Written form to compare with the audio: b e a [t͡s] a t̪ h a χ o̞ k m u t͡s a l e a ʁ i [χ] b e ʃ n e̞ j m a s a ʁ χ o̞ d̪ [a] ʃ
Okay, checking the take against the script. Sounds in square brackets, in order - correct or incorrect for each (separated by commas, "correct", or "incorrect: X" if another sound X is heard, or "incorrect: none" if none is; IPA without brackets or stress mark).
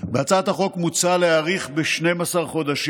correct, correct, correct